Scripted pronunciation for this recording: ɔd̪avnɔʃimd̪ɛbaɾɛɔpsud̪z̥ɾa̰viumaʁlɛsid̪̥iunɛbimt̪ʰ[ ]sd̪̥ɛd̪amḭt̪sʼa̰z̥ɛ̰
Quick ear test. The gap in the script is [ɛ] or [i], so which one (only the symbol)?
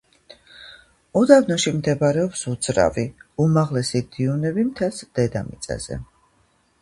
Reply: ɛ